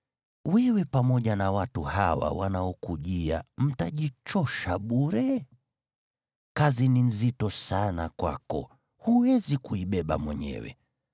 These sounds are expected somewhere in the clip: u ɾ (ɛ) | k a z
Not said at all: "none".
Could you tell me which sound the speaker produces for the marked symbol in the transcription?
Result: ɛ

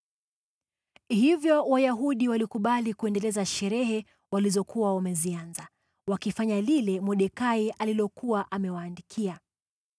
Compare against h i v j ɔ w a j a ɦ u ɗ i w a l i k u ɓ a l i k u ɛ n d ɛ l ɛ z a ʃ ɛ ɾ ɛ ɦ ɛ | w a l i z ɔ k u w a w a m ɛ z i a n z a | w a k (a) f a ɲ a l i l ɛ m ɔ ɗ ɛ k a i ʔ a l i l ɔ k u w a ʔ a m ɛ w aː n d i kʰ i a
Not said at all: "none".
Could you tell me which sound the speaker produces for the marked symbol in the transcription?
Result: i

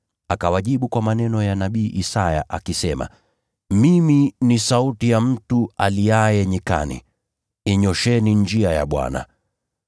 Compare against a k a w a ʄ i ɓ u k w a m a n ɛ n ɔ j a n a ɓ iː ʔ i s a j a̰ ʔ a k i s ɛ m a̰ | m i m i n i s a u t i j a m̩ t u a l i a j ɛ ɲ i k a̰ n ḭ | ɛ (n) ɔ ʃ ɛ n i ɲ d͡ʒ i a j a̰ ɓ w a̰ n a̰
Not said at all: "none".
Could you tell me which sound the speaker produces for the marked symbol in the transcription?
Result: ɲ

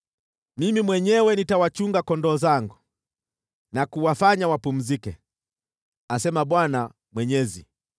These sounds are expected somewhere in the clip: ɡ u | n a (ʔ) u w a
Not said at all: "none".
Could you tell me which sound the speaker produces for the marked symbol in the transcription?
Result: k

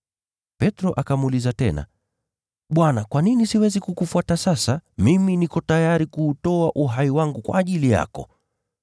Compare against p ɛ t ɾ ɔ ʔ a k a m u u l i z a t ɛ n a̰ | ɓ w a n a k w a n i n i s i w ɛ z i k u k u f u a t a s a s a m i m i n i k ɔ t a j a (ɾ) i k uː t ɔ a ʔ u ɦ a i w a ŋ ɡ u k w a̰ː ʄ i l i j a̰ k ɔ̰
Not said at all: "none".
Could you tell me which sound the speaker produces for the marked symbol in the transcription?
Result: ɾ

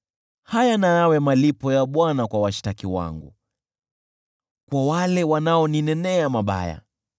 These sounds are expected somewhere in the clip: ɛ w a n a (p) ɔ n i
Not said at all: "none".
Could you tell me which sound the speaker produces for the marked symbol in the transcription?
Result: none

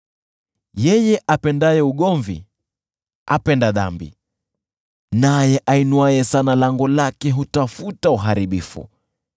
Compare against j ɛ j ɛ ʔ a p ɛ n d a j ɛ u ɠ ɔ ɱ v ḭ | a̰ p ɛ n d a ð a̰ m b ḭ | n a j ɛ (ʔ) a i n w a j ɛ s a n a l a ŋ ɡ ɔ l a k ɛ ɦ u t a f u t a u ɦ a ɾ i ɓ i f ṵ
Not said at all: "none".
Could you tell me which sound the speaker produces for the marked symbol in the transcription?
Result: ʔ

